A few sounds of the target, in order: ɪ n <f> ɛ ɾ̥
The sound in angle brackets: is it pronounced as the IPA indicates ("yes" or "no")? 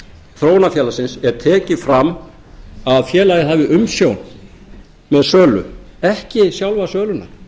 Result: no